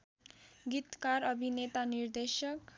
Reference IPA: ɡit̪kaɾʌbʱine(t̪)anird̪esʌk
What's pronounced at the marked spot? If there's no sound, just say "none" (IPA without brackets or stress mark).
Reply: t̪